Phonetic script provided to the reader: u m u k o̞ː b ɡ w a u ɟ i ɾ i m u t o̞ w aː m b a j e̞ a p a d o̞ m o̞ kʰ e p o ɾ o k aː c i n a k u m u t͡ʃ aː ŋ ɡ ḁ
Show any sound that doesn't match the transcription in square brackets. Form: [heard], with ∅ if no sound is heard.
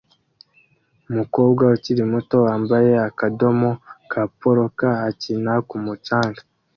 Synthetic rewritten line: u m u k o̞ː b ɡ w a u [c] i ɾ i m u t o̞ w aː m b a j e̞ a [k] a d o̞ m o̞ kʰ [a] p o ɾ o k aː c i n a k u m u t͡ʃ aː ŋ ɡ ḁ